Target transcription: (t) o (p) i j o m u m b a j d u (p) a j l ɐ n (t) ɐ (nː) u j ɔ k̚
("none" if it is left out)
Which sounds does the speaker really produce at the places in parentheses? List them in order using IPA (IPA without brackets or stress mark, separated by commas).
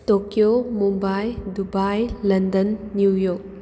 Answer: t, k, b, d, nː